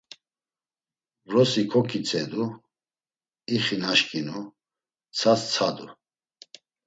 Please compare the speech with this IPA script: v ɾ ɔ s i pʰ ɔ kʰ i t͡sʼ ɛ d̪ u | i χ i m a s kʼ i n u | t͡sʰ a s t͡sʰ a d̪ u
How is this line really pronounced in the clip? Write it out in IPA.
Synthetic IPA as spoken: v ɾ ɔ s i kʰ ɔ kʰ i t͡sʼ ɛ d̪ u | i χ i n a ʃ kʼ i n u | t͡sʰ a s t͡sʰ a d̪ u